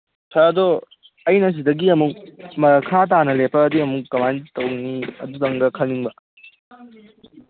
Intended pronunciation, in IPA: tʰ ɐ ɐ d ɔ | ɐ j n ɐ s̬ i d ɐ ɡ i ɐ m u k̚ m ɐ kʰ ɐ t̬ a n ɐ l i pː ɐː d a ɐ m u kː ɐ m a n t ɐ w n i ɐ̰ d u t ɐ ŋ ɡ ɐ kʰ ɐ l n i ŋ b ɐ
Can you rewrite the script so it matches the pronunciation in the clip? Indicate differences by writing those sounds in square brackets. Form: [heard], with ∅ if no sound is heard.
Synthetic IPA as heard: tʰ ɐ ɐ d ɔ | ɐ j n ɐ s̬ i d ɐ ɡ i ɐ m u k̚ m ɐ kʰ [a] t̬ a n ɐ l [e] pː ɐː d [i] ɐ m u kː ɐ m a n t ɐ w n i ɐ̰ d u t ɐ ŋ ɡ ɐ kʰ ɐ l n i ŋ b ɐ